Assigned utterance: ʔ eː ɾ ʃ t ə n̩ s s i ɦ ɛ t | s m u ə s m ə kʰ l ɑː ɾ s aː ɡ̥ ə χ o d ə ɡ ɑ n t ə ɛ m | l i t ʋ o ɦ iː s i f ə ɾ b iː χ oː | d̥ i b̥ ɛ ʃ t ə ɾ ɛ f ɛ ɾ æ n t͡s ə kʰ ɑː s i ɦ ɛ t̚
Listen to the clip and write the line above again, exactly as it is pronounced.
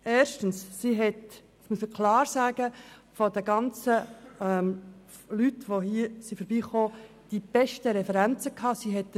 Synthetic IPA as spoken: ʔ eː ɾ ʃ t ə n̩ s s i ɦ ɛ t | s m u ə s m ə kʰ l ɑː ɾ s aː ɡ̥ ə f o d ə ɡ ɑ n t͡s ə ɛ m | l y t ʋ o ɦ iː s i f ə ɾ b iː χ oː | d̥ i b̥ ɛ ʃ t ə ɾ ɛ f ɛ ɾ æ n t͡s ə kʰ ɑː s i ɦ ɛ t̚